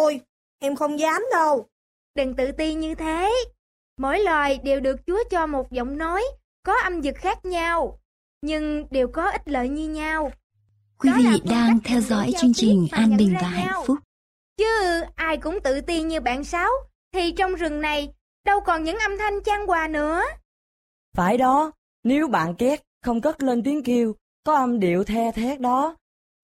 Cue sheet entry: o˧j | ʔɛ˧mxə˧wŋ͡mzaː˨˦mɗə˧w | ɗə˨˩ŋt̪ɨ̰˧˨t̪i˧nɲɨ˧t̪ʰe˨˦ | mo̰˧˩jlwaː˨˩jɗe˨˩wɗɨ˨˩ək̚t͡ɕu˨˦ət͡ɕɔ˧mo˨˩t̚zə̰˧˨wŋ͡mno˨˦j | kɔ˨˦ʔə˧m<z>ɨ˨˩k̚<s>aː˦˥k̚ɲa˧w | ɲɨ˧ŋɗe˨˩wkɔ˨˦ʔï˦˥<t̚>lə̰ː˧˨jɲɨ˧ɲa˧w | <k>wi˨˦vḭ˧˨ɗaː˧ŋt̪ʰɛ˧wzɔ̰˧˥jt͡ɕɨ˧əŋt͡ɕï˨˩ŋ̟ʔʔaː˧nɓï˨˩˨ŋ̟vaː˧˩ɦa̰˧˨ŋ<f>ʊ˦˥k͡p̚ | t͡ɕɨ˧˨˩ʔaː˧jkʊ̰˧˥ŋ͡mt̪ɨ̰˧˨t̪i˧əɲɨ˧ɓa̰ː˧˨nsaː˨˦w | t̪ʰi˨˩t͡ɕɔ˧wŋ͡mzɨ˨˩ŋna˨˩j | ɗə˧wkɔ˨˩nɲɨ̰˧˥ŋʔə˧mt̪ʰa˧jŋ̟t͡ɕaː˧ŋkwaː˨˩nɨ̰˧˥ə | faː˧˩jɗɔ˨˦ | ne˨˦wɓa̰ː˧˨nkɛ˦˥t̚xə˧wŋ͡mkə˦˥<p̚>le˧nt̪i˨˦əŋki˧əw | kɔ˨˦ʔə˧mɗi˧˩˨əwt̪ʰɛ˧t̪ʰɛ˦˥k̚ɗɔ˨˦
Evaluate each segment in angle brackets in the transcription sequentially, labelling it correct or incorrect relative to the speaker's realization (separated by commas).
correct, incorrect, correct, correct, correct, incorrect